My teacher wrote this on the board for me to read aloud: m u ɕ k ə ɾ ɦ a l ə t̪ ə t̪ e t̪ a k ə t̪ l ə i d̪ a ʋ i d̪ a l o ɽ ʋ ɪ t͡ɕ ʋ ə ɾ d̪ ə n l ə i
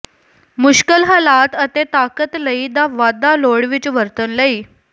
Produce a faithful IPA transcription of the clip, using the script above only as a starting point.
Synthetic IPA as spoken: m u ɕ k ə l ɦ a l a t̪ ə t̪ e t̪ a k ə t̪ l ə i d̪ a ʋ a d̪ a l o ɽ ʋ i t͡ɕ ʋ ə ɾ t̪ ə n l ə i